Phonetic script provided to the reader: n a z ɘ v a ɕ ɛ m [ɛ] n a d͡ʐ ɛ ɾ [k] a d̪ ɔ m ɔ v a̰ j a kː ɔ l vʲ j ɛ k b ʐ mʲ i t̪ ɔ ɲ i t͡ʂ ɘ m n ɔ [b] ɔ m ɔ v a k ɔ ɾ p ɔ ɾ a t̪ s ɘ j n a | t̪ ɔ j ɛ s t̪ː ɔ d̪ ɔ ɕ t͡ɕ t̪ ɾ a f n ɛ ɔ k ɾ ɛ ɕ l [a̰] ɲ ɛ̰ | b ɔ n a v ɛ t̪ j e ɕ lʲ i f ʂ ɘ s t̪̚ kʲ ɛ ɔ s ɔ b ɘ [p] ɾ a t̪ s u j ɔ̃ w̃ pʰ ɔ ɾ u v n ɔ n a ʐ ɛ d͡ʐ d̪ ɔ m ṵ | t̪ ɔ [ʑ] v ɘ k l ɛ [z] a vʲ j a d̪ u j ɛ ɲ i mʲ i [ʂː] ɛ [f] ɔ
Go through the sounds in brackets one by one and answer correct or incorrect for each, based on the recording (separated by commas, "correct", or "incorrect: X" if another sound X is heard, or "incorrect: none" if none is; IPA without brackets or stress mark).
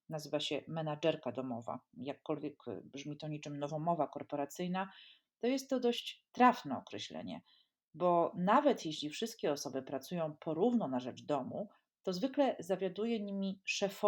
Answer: correct, correct, incorrect: v, incorrect: ɛ̰, correct, incorrect: z, correct, incorrect: ʂ, correct